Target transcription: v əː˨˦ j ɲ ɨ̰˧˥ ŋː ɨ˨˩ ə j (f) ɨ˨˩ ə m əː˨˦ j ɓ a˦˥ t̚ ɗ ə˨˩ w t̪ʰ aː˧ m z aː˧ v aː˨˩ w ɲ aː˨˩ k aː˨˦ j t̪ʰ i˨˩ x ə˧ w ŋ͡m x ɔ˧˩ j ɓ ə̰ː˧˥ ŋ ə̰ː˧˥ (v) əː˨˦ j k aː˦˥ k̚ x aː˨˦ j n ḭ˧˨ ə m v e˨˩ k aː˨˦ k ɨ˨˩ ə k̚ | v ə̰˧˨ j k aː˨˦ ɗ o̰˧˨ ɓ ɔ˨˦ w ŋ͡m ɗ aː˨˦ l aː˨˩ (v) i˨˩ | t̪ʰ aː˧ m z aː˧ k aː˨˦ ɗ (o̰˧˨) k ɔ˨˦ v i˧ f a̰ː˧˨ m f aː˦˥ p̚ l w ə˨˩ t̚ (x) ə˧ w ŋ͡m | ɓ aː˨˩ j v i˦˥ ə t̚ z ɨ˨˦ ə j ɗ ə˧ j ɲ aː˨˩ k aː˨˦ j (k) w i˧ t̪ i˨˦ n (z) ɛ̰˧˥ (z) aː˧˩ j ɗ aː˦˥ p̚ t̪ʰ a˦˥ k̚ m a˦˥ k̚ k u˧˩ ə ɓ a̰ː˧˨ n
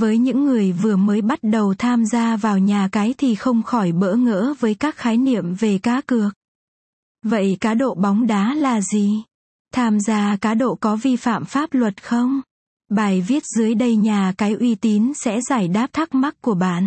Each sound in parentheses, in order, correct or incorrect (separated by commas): incorrect, correct, incorrect, correct, correct, incorrect, incorrect, correct